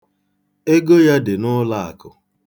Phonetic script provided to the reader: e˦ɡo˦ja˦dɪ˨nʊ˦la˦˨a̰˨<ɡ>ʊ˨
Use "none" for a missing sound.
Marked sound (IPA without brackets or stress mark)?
k